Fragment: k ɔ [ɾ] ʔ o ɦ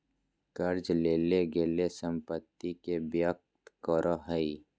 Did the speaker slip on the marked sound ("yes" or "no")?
no